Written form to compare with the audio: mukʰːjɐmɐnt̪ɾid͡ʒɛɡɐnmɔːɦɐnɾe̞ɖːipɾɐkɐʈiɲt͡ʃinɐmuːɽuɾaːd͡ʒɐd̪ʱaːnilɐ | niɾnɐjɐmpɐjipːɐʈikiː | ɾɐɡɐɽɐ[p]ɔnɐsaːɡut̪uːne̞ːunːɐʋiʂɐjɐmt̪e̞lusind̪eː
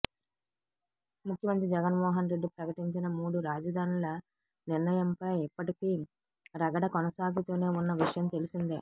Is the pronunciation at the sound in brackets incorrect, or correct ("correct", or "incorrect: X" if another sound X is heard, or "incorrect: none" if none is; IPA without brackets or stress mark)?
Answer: incorrect: k